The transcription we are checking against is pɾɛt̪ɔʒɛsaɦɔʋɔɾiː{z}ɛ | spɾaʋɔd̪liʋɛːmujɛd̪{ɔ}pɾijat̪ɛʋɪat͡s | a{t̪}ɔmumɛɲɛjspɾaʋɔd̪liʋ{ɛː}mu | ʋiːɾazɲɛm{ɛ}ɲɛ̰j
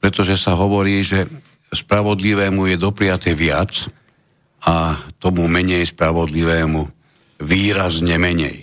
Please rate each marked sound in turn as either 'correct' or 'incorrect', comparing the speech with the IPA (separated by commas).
incorrect, correct, correct, correct, correct